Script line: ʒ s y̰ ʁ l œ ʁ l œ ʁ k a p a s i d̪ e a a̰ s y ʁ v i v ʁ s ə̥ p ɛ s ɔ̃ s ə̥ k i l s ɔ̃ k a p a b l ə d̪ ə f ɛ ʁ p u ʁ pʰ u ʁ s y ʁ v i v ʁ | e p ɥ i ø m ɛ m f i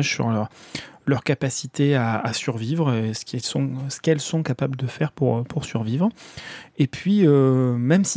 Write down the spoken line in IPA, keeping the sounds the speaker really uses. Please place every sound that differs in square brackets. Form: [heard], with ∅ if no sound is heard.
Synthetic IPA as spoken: ʒ s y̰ ʁ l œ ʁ l œ ʁ k a p a s i [t̪] e a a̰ s y ʁ v i v ʁ s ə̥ [k] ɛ s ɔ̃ s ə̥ k [ɛ] l s ɔ̃ k a p a b l ə d̪ ə f ɛ ʁ p u ʁ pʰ u ʁ s y ʁ v i v ʁ | e p ɥ i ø m ɛ m [s] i